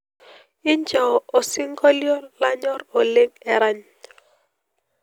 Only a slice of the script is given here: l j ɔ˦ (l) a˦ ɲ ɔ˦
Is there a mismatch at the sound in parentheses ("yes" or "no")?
no